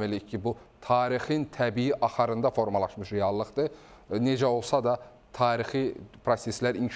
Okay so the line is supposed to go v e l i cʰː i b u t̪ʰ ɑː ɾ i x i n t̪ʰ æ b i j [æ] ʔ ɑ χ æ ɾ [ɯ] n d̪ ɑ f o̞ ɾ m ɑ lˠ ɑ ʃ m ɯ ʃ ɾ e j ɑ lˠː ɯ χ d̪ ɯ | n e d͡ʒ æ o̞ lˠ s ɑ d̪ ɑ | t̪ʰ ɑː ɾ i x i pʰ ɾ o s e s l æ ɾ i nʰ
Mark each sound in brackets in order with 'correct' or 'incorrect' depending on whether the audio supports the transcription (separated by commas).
incorrect, correct